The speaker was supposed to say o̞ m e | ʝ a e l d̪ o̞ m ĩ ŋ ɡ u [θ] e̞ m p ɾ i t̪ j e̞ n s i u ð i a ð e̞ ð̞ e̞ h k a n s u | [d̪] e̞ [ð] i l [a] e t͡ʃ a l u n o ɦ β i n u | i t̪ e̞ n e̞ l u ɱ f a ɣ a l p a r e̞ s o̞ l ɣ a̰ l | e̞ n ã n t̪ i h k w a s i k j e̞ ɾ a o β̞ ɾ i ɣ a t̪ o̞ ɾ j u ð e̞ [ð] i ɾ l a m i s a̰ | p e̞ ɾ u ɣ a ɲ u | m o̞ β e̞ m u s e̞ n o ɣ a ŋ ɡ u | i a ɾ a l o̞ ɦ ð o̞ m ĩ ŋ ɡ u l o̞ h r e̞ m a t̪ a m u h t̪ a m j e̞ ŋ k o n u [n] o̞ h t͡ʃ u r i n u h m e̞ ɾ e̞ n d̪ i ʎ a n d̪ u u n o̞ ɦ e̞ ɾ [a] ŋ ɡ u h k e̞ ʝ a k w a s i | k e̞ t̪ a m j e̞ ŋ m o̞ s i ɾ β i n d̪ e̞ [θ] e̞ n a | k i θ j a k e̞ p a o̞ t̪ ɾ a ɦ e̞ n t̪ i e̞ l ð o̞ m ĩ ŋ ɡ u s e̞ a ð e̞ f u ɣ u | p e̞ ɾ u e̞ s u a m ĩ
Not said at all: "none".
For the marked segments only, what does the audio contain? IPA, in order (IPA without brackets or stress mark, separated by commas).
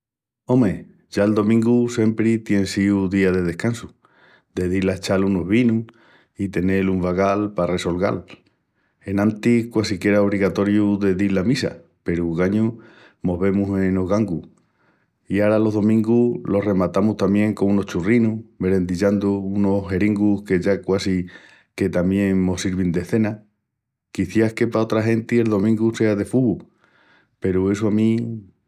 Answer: s, d̪, ð, a, ð, n, i, θ